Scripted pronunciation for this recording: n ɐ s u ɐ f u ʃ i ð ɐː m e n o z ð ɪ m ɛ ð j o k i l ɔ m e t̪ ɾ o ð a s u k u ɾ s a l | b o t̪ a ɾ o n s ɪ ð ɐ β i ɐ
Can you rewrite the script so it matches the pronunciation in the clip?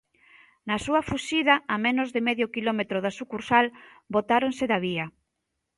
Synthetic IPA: n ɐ s u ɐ f u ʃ i ð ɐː m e n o z ð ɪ m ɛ ð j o k i l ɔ m e t̪ ɾ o ð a s u k u ɾ s a l | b o t̪ a ɾ o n s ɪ ð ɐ β i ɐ